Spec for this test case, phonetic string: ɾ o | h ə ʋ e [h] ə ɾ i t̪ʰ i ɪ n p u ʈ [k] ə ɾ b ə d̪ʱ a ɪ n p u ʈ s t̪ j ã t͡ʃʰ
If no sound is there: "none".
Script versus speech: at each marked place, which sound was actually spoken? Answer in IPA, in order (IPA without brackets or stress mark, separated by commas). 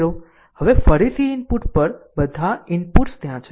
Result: f, p